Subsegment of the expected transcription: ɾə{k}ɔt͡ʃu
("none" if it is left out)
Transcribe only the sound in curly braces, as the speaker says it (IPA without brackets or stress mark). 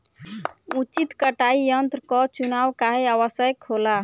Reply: k